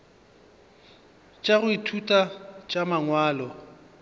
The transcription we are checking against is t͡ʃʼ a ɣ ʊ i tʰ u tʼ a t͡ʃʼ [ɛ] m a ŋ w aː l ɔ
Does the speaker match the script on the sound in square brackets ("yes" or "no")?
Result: no